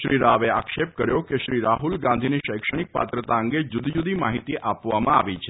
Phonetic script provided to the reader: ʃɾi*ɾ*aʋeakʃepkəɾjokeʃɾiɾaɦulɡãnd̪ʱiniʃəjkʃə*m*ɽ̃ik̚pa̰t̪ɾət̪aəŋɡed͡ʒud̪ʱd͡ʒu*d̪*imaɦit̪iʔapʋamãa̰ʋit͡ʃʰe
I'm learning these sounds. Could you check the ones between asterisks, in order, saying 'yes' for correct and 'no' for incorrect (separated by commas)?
yes, no, yes